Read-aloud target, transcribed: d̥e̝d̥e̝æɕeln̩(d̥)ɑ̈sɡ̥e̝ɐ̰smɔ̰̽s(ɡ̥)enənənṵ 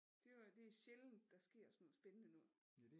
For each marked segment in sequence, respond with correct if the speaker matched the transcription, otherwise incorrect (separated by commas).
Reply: correct, incorrect